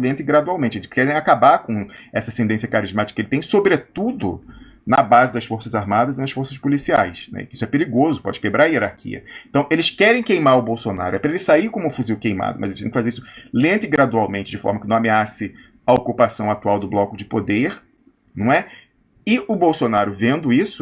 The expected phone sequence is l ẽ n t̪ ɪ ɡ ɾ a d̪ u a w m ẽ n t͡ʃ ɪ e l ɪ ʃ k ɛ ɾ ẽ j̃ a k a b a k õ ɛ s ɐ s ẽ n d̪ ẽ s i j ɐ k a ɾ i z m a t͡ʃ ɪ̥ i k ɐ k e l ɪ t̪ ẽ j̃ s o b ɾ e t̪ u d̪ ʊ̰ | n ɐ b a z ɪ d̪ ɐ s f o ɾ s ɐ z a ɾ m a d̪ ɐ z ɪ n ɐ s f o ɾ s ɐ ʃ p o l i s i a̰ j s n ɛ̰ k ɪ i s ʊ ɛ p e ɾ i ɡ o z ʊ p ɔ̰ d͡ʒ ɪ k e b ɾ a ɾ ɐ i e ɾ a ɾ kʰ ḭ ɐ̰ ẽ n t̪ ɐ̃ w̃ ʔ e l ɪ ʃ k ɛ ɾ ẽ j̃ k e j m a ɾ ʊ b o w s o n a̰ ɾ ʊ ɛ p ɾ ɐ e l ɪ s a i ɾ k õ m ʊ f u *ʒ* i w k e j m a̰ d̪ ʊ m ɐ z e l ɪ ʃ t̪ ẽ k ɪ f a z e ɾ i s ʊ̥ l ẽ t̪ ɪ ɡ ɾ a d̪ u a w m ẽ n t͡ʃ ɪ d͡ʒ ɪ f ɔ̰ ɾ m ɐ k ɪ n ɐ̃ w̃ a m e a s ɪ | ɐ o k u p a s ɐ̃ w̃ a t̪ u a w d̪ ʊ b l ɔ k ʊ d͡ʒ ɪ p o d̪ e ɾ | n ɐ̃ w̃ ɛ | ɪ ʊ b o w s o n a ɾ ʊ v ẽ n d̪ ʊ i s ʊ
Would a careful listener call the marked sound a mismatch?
yes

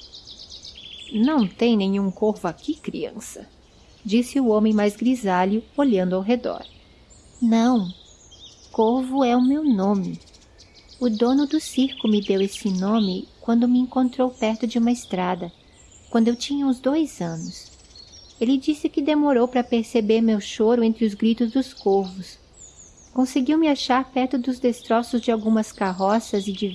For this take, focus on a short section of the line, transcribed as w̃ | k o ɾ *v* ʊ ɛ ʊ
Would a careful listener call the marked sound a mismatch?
no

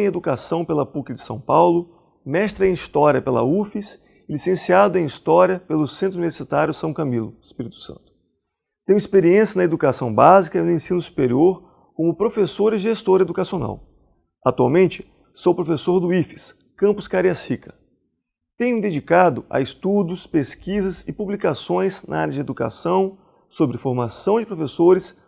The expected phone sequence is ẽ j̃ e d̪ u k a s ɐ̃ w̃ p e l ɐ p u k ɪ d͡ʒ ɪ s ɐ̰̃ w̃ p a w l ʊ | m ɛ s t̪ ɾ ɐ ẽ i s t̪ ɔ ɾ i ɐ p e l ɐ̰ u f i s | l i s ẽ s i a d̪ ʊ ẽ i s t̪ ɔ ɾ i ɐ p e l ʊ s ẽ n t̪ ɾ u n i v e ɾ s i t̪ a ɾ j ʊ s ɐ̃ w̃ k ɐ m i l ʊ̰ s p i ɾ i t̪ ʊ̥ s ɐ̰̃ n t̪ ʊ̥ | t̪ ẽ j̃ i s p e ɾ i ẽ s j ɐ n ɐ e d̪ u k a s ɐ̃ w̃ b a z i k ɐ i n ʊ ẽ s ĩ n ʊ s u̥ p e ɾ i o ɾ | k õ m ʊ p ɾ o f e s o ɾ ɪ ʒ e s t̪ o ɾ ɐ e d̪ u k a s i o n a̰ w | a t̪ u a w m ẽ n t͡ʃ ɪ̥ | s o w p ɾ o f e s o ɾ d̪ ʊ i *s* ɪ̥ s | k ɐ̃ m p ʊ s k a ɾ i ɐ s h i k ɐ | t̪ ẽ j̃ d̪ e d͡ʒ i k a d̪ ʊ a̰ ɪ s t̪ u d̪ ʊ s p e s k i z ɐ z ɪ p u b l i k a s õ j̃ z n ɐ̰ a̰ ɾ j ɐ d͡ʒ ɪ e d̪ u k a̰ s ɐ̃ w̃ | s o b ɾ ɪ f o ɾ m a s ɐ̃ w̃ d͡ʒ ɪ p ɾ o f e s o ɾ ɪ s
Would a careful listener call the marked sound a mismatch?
yes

